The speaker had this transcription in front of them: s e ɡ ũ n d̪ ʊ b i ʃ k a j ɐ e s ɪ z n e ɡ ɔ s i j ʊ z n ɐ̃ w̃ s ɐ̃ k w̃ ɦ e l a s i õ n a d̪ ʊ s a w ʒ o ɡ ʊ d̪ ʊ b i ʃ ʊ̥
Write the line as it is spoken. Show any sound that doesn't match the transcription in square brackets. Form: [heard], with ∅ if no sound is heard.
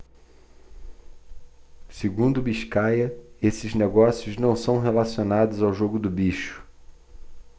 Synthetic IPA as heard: s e ɡ ũ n d̪ ʊ b i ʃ k a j ɐ e s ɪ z n e ɡ ɔ s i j ʊ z n ɐ̃ w̃ s ɐ̃ [∅] w̃ ɦ e l a s i [o] n a d̪ ʊ [z] a w ʒ o ɡ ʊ d̪ ʊ b i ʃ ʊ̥